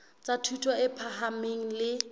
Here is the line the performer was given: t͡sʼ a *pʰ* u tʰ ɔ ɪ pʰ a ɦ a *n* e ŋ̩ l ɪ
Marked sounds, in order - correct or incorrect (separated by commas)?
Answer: incorrect, incorrect